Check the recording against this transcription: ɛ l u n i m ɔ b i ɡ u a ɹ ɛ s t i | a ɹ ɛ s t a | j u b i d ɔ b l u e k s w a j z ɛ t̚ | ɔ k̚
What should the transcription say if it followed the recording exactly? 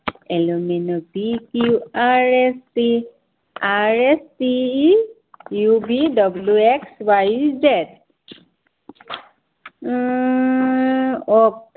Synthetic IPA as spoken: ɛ l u m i n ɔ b i k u a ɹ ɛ s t i | a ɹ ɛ s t i | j u b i d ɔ b l u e k s w a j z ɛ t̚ | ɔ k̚